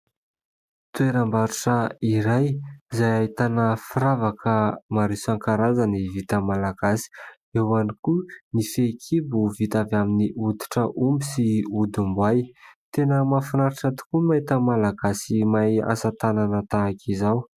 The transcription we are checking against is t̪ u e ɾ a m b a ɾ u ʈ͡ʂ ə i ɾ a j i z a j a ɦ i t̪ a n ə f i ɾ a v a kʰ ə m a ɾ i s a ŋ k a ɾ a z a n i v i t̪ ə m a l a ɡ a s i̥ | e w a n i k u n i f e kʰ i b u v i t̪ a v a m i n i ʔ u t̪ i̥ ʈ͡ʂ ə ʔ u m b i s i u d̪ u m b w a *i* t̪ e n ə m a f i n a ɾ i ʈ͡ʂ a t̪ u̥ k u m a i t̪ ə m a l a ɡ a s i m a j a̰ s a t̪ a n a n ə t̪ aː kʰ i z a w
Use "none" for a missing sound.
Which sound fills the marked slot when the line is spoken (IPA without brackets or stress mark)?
j